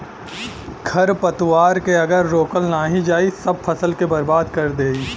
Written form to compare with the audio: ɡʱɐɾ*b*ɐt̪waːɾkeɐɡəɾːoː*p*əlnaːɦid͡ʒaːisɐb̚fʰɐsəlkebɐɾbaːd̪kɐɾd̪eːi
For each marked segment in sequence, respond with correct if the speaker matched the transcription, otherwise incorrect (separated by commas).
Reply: incorrect, incorrect